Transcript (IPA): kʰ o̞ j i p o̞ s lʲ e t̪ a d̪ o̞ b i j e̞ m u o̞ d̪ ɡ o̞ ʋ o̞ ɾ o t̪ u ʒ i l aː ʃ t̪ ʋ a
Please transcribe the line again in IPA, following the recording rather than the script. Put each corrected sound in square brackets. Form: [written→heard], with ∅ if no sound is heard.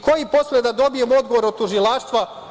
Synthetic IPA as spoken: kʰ o̞ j i p o̞ s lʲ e [t̪→d̪] a d̪ o̞ b i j e̞ m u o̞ d̪ ɡ o̞ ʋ o̞ ɾ o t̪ u ʒ i l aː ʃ t̪ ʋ a